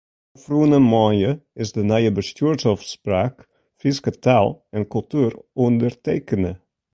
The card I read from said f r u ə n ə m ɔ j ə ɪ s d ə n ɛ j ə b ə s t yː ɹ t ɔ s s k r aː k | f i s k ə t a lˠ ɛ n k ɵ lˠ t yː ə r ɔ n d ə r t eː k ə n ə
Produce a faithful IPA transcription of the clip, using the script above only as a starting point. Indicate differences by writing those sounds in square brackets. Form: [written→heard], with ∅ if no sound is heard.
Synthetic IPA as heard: f r u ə n ə m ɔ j ə ɪ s d ə n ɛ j ə b ə s t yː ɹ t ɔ [s→f] s [k→p] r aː k | f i s k ə t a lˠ ɛ n k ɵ lˠ t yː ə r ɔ n d ə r t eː k ə n ə